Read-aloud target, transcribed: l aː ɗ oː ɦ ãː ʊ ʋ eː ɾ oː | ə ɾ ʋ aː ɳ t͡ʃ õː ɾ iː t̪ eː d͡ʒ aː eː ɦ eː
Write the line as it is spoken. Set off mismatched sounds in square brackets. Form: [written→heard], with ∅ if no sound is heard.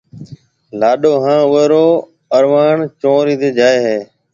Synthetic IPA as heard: l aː ɗ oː ɦ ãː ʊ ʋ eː ɾ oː | ə ɾ ʋ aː ɳ t͡ʃ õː ɾ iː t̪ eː d͡ʒ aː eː ɦ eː